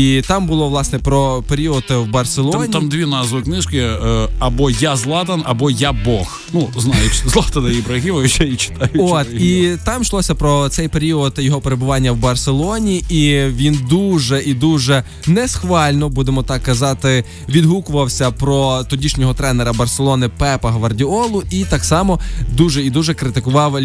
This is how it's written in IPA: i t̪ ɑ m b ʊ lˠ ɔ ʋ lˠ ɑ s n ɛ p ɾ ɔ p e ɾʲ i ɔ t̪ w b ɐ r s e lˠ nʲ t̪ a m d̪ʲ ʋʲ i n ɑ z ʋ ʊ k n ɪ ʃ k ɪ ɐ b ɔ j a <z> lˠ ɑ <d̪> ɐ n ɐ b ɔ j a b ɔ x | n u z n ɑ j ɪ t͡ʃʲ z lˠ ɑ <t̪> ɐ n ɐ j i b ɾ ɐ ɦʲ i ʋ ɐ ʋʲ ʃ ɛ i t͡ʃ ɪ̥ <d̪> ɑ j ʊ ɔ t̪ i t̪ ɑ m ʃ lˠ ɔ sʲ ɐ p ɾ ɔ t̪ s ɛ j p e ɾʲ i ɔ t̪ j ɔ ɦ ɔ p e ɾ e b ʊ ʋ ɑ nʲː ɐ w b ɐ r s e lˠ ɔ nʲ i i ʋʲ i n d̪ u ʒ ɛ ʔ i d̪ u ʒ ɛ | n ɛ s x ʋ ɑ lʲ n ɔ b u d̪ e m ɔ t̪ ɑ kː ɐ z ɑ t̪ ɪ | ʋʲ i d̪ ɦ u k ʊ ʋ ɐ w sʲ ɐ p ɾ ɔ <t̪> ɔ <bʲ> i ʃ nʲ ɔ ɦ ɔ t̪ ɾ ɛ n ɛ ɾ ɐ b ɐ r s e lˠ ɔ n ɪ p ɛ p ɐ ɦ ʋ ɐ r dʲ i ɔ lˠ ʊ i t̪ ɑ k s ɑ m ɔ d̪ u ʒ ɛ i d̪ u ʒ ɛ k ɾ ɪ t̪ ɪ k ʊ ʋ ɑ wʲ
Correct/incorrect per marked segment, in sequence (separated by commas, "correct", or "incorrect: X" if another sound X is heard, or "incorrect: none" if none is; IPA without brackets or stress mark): correct, incorrect: t̪, correct, incorrect: t̪, correct, incorrect: dʲ